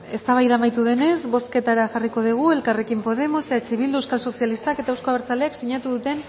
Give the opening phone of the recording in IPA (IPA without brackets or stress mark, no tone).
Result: e̞